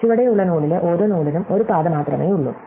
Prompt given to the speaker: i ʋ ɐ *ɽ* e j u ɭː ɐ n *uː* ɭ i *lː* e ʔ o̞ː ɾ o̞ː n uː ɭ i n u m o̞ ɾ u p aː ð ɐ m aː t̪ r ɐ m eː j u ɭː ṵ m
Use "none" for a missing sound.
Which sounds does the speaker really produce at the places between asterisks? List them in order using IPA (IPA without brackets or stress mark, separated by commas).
ɽ, uː, l